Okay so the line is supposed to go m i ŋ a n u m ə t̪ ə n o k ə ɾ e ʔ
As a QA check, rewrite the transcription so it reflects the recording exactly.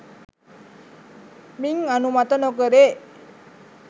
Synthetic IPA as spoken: m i ŋ a n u m a t̪ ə n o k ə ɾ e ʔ

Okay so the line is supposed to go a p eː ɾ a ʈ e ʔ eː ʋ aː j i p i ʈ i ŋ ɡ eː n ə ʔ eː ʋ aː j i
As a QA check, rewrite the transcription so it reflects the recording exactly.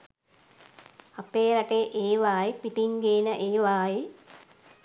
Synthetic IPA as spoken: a p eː ɾ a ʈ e ʔ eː ʋ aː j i p i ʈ i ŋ ɡ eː n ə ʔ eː ʋ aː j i

